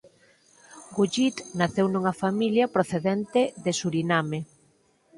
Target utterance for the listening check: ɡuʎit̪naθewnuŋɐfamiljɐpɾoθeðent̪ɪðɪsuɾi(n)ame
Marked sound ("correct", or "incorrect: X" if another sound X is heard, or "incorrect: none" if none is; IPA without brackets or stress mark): correct